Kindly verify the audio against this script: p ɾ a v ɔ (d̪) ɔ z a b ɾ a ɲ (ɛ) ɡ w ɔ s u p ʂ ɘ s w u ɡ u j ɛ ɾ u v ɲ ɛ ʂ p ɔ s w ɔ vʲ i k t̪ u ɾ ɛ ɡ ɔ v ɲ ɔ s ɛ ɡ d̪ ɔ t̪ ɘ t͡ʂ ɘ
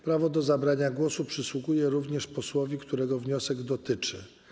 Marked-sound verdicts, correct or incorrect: correct, incorrect: a

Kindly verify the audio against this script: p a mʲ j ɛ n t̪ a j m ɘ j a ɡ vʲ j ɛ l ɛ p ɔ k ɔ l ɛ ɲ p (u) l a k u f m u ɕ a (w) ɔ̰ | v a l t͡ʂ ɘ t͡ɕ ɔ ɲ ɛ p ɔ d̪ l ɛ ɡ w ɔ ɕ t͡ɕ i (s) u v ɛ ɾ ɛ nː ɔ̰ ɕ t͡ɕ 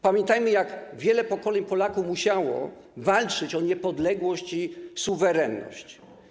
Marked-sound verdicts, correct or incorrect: incorrect: ɔ, correct, correct

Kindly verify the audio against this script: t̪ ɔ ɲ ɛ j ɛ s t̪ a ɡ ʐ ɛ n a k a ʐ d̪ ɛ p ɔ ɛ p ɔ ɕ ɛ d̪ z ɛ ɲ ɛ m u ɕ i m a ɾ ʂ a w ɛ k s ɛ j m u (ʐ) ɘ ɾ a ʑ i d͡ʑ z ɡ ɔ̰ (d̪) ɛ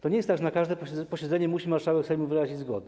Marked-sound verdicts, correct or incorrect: incorrect: v, correct

